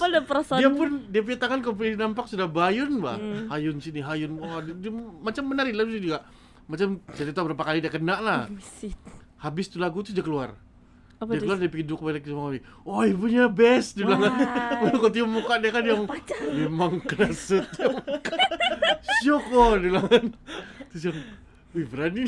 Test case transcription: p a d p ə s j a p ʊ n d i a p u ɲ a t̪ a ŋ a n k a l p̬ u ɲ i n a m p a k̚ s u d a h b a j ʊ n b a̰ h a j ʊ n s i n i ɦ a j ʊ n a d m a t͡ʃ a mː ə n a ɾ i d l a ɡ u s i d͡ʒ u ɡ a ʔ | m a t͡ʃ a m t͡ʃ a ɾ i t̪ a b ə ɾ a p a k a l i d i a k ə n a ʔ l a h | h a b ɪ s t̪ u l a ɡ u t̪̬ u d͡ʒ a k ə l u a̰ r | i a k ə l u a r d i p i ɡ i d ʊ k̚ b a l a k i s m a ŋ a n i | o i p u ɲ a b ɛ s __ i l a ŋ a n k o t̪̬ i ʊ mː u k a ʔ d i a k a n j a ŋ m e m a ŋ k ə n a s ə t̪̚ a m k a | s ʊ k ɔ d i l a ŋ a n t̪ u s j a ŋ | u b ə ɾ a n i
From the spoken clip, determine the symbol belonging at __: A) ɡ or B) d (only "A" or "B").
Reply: B